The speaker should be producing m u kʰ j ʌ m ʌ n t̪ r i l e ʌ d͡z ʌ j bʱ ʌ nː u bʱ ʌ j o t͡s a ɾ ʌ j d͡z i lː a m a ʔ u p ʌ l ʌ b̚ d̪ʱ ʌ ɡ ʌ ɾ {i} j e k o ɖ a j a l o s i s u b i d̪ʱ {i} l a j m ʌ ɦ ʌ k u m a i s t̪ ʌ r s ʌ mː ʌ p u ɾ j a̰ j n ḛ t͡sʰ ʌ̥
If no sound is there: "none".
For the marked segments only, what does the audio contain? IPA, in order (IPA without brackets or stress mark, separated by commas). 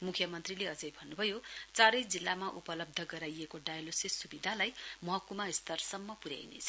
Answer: a, a